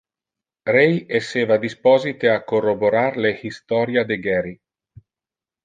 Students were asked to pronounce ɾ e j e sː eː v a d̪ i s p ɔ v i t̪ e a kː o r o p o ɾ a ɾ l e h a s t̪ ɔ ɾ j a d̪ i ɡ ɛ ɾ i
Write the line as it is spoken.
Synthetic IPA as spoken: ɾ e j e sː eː v a d̪ i s p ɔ z i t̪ e a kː o r o b o ɾ a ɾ l e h i s t̪ ɔ ɾ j a d̪ e ɡ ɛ ɾ i